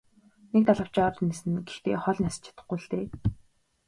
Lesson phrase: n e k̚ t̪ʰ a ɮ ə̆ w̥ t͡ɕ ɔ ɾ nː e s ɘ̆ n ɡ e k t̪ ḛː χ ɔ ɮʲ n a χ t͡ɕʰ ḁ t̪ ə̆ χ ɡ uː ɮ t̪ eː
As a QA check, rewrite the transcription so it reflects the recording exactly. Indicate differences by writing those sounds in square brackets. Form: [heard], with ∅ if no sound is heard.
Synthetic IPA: n e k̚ [t̪] a ɮ ə̆ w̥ t͡ɕ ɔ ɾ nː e s ɘ̆ n ɡ e [x] t̪ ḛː χ ɔ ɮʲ n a [s] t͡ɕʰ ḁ t̪ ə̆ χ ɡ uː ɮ t̪ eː

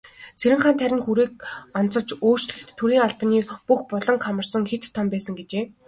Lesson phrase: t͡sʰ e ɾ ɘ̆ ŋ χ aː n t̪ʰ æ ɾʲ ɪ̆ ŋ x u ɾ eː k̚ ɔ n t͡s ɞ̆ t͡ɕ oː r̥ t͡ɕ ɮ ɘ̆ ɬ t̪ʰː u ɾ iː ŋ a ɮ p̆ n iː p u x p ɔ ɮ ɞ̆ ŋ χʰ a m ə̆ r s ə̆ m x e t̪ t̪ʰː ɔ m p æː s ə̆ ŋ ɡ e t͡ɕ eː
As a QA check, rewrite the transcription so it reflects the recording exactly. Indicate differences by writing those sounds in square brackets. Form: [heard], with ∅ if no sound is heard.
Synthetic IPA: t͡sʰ e ɾ ɘ̆ ŋ χ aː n t̪ʰ æ ɾʲ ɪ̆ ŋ x u ɾ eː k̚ ɔ n t͡s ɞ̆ t͡ɕ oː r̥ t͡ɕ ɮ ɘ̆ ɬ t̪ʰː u ɾ iː ŋ a ɮ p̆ n iː p u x p ɔ ɮ ɞ̆ ŋ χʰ a m ə̆ r s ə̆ [ŋ] x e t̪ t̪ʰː ɔ m p æː s ə̆ ŋ ɡ e t͡ɕ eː

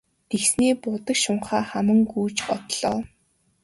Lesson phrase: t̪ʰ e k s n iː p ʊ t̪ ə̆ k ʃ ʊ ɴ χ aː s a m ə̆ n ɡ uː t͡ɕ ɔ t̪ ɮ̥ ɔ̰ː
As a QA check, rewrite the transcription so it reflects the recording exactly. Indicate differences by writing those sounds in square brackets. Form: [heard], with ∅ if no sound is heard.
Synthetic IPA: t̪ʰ e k s n iː p ʊ t̪ ə̆ k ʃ ʊ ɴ χ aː [χ] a m ə̆ [ŋ] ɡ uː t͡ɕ ɔ t̪ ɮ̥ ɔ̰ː

